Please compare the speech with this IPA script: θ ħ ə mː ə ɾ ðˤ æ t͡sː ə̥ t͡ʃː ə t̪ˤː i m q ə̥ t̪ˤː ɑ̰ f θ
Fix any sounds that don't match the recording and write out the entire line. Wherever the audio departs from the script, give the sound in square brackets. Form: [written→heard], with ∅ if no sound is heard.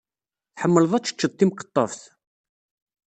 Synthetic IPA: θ ħ ə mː ə [ɾ→l] ðˤ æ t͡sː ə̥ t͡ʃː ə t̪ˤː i m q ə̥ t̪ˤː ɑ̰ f θ